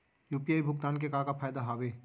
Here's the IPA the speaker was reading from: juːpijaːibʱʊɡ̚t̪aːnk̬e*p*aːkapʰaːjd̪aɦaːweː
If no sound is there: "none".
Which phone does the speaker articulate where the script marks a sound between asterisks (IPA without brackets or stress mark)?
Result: k